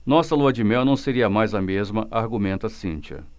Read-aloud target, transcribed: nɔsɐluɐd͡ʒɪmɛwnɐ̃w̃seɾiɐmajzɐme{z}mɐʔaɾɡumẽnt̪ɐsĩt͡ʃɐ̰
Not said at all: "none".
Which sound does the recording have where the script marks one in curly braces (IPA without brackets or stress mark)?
z